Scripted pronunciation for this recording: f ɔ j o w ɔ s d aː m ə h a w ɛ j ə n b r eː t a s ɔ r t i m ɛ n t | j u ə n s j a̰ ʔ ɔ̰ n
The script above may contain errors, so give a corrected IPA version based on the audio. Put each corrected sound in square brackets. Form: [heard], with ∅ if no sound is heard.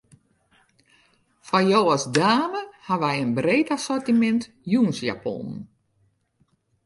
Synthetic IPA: f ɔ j o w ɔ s d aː m ə h a [ʋ] ɛ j ə n b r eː t a s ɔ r t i m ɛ n t | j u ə n s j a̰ [p] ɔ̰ n